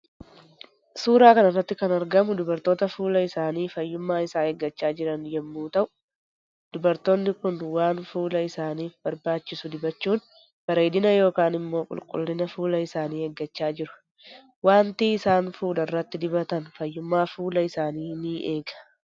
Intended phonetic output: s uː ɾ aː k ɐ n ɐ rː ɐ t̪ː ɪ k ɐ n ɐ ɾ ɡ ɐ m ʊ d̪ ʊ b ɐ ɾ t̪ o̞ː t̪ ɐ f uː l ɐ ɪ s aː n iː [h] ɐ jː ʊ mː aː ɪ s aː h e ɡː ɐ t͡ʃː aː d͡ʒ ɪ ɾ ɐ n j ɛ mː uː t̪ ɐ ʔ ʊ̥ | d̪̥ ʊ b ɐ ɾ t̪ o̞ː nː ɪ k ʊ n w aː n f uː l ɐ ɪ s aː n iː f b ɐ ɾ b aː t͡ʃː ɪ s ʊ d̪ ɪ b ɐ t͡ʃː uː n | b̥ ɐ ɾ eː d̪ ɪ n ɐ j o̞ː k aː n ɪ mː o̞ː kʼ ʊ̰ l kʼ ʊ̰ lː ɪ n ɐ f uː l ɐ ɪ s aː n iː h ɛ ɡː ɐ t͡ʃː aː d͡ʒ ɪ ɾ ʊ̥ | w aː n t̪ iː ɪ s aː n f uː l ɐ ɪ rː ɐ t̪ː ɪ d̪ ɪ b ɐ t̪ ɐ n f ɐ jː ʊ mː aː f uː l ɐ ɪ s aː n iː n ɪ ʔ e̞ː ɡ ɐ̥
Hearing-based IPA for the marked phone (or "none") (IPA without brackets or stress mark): f